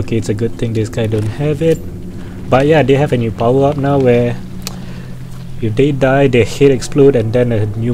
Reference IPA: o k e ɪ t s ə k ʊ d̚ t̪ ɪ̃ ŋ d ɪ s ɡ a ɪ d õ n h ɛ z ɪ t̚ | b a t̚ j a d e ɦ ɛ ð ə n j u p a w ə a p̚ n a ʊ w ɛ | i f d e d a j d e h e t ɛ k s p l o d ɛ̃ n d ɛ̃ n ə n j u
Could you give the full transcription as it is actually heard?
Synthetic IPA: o k e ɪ t s ə ɡ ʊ d̚ t̪ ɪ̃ ŋ d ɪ s ɡ a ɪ d õ n h ɛ v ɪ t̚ | b a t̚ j a d e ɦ ɛ v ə n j u p a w ə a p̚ n a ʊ w ɛ | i f d e d a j d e h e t ɛ k s p l o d ɛ̃ n d ɛ̃ n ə n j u

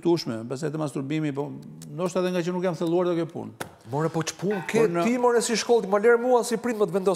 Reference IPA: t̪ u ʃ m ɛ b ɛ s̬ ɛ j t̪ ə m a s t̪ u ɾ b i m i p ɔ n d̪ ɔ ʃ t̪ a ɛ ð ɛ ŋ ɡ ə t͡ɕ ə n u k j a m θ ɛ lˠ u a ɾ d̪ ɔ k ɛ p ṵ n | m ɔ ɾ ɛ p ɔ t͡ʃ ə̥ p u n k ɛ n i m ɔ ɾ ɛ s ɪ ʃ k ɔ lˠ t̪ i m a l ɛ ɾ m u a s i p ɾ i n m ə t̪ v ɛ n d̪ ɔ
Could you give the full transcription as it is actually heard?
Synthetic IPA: t̪ u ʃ m ɛ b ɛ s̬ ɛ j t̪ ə m a s t̪ u ɾ b i m i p ɔ n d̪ ɔ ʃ t̪ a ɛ ð ɛ ŋ ɡ a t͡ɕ ə n u k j a m θ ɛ lˠ u a ɾ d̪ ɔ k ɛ p ṵ n | m ɔ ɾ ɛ p ɔ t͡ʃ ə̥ p u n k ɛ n i m ɔ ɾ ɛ s i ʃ k ɔ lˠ t̪ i m a l ɛ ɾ m u a s i p ɾ i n m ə t̪ v ɛ n d̪ ɔ

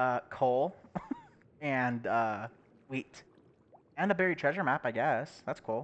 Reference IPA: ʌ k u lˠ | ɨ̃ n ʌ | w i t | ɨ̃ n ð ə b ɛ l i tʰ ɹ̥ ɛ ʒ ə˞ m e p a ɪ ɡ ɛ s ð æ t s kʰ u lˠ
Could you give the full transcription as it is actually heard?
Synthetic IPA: ʌ kʰ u lˠ | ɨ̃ n ʌ | w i t | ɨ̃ n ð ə b ɛ ɹ i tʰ ɹ̥ ɛ ʒ ə˞ m æ p a ɪ ɡ ɛ s ð æ t s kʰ u lˠ

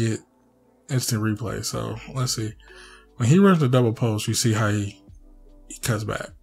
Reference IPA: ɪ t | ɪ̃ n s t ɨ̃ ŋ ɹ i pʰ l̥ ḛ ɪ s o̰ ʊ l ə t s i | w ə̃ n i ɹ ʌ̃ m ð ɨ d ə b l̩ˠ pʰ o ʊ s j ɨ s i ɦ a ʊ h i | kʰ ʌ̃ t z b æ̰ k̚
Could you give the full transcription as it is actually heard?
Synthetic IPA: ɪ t | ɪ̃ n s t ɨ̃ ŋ ɹ i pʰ l̥ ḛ ɪ s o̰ ʊ l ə t s i | w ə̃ n i ɹ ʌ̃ n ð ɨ d ʌ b l̩ˠ pʰ o ʊ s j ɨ s i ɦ a ʊ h i | kʰ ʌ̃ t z b æ̰ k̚

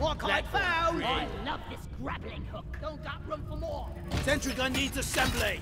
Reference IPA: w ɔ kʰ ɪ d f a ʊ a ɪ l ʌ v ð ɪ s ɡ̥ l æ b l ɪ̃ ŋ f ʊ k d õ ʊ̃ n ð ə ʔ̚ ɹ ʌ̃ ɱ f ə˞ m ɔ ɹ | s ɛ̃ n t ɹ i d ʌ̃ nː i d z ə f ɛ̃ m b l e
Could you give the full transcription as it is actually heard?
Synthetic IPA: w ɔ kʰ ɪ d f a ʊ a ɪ l ʌ v ð ɪ s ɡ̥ ɹ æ b l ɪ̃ ŋ h ʊ k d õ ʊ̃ n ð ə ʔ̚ ɹ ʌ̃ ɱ f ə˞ m ɔ ɹ | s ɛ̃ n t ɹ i ɡ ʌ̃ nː i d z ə s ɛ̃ m b l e

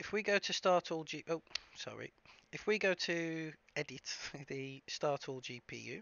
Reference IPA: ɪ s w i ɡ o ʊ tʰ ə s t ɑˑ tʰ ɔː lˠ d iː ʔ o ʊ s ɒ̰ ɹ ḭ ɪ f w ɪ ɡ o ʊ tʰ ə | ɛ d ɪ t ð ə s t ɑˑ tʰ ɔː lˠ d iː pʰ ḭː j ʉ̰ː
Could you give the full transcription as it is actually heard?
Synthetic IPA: ɪ f w i ɡ o ʊ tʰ ə s t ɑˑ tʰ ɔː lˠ d͡ʒ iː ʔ o ʊ s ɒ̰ ɹ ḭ ɪ f w i ɡ o ʊ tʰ ə | ɛ d ɪ t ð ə s t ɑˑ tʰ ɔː lˠ d͡ʒ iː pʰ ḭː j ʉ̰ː

